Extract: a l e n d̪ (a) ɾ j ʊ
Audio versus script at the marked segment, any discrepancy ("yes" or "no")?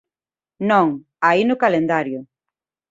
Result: no